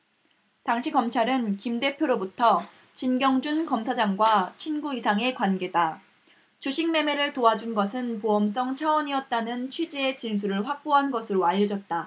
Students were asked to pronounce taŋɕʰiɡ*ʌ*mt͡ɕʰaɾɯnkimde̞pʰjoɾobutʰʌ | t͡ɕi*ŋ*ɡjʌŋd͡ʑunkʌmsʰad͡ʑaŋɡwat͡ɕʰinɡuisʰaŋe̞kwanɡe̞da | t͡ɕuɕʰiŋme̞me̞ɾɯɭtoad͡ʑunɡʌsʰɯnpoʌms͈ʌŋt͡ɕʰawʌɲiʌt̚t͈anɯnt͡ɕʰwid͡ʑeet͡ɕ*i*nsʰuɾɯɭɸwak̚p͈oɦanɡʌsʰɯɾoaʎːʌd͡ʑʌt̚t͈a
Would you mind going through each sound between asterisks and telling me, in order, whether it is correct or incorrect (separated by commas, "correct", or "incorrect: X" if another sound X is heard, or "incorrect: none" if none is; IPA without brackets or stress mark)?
correct, incorrect: n, correct